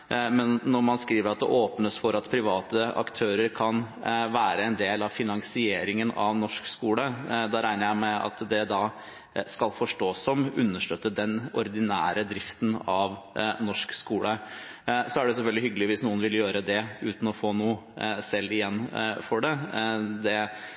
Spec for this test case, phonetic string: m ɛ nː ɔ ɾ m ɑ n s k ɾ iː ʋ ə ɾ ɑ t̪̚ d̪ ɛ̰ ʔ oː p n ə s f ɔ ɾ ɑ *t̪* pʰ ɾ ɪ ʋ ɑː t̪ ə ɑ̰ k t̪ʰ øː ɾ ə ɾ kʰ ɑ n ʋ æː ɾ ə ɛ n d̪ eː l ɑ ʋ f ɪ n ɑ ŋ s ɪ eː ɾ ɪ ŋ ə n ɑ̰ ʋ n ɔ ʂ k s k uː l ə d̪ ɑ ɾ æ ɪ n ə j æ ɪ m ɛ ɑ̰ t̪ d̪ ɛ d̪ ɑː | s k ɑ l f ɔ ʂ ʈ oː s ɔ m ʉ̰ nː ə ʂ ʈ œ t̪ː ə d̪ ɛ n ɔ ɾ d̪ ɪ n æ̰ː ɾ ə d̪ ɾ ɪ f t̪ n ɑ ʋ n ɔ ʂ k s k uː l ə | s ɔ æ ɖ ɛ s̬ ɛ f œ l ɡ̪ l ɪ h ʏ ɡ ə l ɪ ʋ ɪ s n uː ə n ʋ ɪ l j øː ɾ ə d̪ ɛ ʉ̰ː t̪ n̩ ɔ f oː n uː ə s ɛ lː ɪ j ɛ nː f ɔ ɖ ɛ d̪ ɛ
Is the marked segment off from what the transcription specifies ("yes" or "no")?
no